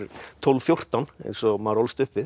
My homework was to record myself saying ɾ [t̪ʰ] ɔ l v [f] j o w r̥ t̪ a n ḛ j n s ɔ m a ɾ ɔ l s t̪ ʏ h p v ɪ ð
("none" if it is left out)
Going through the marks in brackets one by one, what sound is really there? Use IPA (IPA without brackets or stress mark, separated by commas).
t̪ʰ, f